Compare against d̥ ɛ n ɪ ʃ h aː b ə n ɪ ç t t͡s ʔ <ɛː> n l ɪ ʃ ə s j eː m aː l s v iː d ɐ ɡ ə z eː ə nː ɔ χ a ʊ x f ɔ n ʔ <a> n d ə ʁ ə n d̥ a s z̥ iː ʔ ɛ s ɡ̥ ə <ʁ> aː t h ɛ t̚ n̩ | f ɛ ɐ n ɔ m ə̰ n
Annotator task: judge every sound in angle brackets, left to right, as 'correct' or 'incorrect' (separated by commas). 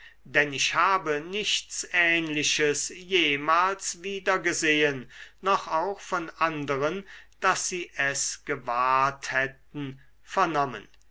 correct, correct, incorrect